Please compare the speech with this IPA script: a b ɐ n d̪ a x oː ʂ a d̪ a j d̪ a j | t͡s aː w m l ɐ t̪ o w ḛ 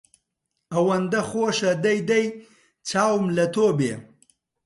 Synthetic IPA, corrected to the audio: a w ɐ n d̪ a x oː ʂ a d̪ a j d̪ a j | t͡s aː w m l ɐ t̪ o b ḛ